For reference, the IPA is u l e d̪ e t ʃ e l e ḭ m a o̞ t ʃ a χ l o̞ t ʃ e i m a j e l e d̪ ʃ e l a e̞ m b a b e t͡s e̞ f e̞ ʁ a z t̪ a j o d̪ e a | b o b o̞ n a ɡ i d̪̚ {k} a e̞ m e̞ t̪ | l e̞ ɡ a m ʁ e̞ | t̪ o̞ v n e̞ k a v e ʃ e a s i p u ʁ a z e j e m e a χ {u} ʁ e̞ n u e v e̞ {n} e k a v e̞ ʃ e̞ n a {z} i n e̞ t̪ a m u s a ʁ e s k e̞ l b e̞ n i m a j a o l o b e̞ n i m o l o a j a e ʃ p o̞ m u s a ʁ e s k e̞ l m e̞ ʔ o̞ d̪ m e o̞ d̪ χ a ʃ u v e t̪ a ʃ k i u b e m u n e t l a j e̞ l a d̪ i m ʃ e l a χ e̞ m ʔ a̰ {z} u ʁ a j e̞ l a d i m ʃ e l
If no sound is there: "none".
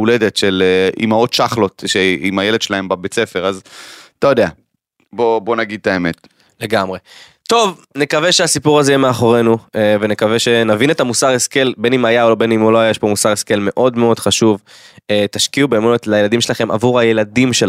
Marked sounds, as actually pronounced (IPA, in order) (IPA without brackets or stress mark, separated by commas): t, o, n, v, v